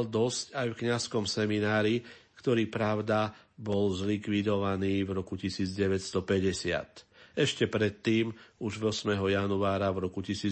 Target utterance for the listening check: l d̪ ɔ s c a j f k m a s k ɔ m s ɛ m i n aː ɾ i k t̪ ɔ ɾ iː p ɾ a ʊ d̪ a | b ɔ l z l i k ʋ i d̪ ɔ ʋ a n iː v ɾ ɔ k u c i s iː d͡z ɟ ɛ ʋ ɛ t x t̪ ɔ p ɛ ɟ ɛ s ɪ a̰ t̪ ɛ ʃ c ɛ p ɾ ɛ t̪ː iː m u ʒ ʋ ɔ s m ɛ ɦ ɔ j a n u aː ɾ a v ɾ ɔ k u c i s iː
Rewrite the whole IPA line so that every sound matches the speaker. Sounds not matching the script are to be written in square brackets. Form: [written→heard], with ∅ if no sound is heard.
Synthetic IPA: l d̪ ɔ s c a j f k [m→ɲ] a s k ɔ m s ɛ m i n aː ɾ i k t̪ ɔ ɾ iː p ɾ a ʊ d̪ a | b ɔ l z l i k ʋ i d̪ ɔ ʋ a n iː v ɾ ɔ k u c i s iː d͡z ɟ ɛ ʋ ɛ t [x→s] t̪ ɔ p ɛ ɟ ɛ s ɪ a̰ t̪ ɛ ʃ c ɛ p ɾ ɛ t̪ː iː m u ʒ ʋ ɔ s m ɛ ɦ ɔ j a n u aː ɾ a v ɾ ɔ k u c i s iː